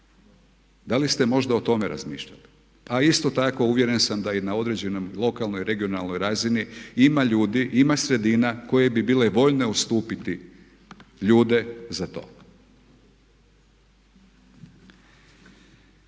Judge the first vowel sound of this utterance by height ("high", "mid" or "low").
low